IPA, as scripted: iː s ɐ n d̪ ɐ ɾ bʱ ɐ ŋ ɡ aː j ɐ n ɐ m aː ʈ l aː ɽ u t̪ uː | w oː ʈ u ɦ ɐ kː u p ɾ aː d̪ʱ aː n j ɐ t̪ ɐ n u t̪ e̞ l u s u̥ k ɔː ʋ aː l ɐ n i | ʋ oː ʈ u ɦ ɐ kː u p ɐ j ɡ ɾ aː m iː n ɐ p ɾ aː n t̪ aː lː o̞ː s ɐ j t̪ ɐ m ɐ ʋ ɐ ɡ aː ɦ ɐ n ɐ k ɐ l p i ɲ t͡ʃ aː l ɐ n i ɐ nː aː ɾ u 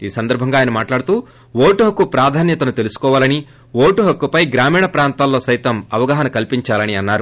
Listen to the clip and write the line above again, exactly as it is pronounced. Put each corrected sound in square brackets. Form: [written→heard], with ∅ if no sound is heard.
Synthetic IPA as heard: iː s ɐ n d̪ ɐ ɾ bʱ ɐ ŋ ɡ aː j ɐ n ɐ m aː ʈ l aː ɽ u t̪ uː | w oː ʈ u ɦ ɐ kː u p ɾ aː d̪ʱ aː n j ɐ t̪ ɐ n u t̪ e̞ l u s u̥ k ɔː ʋ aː l ɐ n i | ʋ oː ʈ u ɦ ɐ kː u p ɐ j ɡ ɾ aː m iː [n→ɳ] ɐ p ɾ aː n t̪ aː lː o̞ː s ɐ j t̪ ɐ m ɐ ʋ ɐ ɡ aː ɦ ɐ n ɐ k ɐ l p i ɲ t͡ʃ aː l ɐ n i ɐ nː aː ɾ u

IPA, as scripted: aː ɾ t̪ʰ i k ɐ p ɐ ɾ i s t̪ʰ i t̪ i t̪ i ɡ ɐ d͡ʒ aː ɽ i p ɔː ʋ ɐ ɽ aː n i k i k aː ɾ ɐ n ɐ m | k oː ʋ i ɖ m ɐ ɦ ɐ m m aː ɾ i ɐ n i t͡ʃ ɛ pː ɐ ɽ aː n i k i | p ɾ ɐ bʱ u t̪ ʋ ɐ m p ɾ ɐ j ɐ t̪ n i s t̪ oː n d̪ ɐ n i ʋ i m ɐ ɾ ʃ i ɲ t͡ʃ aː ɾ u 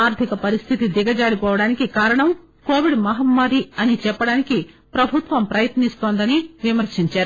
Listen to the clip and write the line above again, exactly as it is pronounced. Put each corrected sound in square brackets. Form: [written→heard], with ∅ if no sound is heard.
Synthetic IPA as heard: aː ɾ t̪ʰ i k ɐ p ɐ ɾ i s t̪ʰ i t̪ i [t̪→d̪] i ɡ ɐ d͡ʒ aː ɽ i p ɔː ʋ ɐ ɽ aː n i k i k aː ɾ ɐ [n→ɳ] ɐ m | k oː ʋ i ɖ m ɐ ɦ ɐ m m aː ɾ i ɐ n i t͡ʃ ɛ pː ɐ ɽ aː n i k i | p ɾ ɐ bʱ u t̪ ʋ ɐ m p ɾ ɐ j ɐ t̪ n i s t̪ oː n d̪ ɐ n i ʋ i m ɐ ɾ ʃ i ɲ t͡ʃ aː ɾ u

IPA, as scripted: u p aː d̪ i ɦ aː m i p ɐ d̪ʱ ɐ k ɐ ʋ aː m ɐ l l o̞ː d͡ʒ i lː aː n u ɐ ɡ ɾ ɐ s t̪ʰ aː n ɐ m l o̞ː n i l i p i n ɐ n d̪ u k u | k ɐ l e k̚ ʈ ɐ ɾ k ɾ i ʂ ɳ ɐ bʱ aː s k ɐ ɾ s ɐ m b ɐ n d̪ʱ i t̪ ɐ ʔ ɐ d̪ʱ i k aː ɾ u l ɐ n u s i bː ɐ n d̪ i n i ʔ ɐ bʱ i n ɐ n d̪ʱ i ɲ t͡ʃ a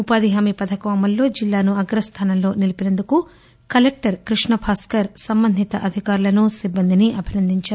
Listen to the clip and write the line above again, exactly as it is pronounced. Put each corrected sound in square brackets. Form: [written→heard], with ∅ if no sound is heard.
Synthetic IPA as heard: u p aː d̪ i ɦ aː m i p ɐ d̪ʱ ɐ k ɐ ʋ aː m ɐ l l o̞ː d͡ʒ i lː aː n u ɐ ɡ ɾ ɐ s t̪ʰ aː n ɐ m l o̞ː n i l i p i n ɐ n d̪ u k u | k ɐ l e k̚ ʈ ɐ ɾ k ɾ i ʂ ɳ ɐ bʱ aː s k ɐ ɾ s ɐ m b ɐ n d̪ʱ i t̪ ɐ ʔ ɐ d̪ʱ i k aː ɾ u l ɐ n u s i bː ɐ n d̪ i n i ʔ ɐ bʱ i n ɐ n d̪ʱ i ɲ t͡ʃ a

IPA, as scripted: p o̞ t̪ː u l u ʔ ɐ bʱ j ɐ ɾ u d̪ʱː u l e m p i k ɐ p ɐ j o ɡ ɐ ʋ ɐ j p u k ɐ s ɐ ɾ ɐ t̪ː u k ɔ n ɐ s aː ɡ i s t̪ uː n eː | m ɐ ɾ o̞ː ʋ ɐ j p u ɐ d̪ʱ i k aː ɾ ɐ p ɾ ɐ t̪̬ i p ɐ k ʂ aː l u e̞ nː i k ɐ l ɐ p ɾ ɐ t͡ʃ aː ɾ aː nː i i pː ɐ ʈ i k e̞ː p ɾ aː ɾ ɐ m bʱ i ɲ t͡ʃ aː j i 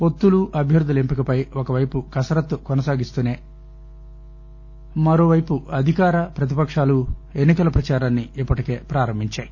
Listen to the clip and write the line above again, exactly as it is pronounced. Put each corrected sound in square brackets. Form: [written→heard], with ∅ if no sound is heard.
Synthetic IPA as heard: p o̞ t̪ː u l u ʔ ɐ bʱ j ɐ ɾ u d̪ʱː u l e m p i k ɐ p ɐ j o [ɡ→k] ɐ ʋ ɐ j p u k ɐ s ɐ ɾ ɐ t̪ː u k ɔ n ɐ s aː ɡ i s t̪ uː n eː | m ɐ ɾ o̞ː ʋ ɐ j p u ɐ d̪ʱ i k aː ɾ ɐ p ɾ ɐ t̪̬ i p ɐ k ʂ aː l u e̞ nː i k ɐ l ɐ p ɾ ɐ t͡ʃ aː ɾ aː nː i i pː ɐ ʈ i k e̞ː p ɾ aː ɾ ɐ m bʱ i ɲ t͡ʃ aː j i

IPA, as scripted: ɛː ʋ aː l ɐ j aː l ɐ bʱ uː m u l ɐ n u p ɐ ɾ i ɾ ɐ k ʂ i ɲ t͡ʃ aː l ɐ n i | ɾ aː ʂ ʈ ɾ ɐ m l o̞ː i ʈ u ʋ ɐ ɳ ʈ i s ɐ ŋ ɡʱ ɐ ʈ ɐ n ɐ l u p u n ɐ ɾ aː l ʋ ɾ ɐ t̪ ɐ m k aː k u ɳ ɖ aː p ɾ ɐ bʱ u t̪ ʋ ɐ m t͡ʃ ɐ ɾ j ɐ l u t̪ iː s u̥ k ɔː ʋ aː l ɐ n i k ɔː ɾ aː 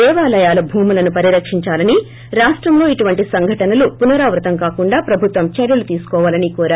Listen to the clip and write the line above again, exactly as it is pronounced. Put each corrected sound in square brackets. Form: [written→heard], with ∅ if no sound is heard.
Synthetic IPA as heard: ɛː ʋ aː l ɐ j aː l ɐ bʱ uː m u l ɐ n u p ɐ ɾ i ɾ ɐ k ʂ i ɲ t͡ʃ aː l ɐ n i | ɾ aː ʂ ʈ ɾ ɐ m l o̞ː i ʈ u ʋ ɐ ɳ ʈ i s ɐ ŋ ɡʱ ɐ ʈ ɐ n ɐ l u p u n ɐ ɾ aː [l→∅] ʋ ɾ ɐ t̪ ɐ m k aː k u ɳ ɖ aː p ɾ ɐ bʱ u t̪ ʋ ɐ m t͡ʃ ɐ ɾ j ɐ l u t̪ iː s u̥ k ɔː ʋ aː l ɐ n i k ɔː ɾ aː

